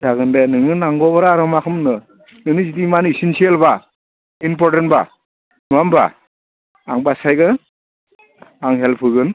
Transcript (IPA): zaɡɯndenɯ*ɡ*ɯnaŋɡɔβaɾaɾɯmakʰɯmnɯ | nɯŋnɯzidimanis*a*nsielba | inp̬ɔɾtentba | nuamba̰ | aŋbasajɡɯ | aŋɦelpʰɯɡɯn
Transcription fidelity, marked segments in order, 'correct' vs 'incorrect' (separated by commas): incorrect, incorrect